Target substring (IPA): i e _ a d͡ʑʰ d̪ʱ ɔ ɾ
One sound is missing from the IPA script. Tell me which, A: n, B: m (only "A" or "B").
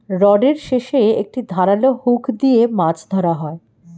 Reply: B